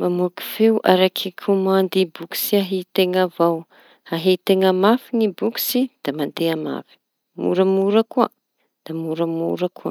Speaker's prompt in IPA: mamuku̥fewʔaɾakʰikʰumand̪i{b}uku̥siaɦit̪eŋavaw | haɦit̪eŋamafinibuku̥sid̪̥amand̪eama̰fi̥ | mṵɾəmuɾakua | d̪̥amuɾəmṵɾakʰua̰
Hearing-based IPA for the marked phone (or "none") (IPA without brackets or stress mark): b